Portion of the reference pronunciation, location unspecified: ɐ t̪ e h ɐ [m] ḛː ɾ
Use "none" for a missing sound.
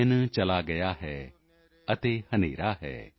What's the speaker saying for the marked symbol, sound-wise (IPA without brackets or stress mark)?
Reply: n